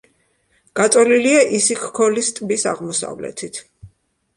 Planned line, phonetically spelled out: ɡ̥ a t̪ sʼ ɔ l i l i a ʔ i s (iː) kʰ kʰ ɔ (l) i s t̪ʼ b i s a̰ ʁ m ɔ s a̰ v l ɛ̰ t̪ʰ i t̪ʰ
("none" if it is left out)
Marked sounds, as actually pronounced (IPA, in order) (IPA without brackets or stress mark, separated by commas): i, l